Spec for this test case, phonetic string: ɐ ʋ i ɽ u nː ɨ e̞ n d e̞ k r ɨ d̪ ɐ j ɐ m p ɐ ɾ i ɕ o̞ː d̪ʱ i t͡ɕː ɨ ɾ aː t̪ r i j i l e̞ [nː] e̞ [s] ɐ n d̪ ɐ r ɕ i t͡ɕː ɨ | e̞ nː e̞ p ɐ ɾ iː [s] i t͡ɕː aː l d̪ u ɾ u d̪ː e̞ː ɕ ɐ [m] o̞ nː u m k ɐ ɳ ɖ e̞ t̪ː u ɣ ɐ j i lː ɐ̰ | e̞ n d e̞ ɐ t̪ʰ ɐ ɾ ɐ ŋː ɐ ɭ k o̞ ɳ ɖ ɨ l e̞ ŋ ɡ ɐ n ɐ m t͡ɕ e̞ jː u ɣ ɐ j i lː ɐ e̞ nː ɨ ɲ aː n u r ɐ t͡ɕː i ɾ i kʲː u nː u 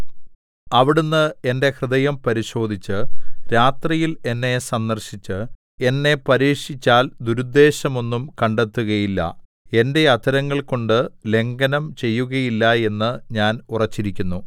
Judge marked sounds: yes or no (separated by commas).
yes, yes, no, yes